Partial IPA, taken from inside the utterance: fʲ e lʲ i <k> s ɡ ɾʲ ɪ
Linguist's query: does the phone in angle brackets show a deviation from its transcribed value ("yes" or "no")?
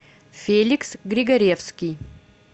no